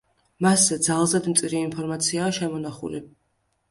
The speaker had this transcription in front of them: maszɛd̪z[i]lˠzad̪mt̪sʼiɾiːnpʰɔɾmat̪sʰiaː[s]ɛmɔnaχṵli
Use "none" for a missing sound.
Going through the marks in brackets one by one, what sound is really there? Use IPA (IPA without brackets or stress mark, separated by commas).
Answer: a, ʃ